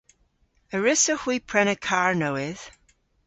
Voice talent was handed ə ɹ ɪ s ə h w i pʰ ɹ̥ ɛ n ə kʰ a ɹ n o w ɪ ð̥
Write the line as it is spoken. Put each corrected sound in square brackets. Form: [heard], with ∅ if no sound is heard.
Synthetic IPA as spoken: ə ɹ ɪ s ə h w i pʰ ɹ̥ ɛ n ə kʰ a ɹ n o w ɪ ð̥